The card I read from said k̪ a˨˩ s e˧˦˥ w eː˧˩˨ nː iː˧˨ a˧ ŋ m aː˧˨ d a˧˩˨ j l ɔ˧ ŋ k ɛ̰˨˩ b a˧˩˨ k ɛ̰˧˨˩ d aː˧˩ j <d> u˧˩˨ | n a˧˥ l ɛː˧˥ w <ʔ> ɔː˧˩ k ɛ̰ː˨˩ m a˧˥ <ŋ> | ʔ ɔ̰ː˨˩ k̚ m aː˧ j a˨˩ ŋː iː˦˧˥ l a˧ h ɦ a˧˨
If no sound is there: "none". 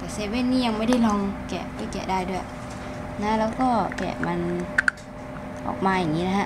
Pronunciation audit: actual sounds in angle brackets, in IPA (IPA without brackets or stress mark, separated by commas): d, k, n